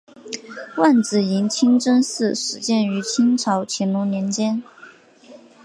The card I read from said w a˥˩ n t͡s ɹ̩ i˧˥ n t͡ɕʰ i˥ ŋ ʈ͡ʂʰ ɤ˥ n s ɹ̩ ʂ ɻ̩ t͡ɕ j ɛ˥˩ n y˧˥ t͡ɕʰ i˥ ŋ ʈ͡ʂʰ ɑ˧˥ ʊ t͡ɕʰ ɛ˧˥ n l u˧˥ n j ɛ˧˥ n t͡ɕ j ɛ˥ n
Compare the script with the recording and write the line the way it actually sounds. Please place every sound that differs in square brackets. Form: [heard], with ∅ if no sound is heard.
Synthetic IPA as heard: w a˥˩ n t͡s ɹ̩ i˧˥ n t͡ɕʰ i˥ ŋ [ʈ͡ʂ] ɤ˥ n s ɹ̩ ʂ ɻ̩ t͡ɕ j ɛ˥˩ n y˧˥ t͡ɕʰ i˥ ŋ ʈ͡ʂʰ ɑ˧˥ ʊ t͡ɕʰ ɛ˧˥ n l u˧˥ n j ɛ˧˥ n t͡ɕ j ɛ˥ n